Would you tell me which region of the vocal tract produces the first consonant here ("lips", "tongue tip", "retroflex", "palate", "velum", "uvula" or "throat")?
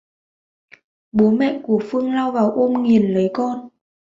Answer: lips